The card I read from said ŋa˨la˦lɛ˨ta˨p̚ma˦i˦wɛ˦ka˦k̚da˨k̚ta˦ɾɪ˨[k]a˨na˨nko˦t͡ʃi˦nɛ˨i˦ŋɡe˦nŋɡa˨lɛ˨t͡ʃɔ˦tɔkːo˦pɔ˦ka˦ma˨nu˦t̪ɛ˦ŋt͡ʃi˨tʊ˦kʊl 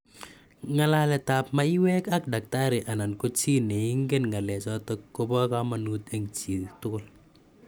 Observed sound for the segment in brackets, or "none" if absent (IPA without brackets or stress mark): ʔ